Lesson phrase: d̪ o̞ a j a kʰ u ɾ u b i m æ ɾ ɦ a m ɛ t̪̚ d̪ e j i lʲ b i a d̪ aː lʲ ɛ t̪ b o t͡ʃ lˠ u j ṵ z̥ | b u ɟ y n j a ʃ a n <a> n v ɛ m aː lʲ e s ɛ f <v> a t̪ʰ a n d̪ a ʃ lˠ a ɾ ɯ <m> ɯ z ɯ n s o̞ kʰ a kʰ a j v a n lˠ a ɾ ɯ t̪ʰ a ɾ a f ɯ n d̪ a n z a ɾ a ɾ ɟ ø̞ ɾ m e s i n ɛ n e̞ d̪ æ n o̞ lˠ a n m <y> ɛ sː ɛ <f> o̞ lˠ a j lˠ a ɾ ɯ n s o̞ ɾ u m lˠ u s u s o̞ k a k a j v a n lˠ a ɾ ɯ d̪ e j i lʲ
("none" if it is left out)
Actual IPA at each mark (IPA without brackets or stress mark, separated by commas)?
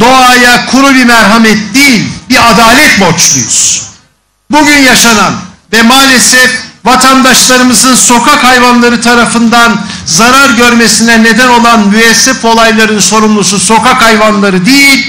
a, v, m, y, f